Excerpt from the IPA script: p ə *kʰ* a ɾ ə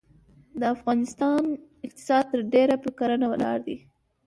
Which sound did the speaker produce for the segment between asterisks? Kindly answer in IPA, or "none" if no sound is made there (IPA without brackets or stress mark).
k